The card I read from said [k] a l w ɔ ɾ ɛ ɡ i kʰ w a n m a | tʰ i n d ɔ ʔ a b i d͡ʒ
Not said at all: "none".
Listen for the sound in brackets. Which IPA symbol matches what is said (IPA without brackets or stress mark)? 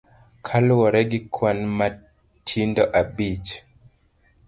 kʰ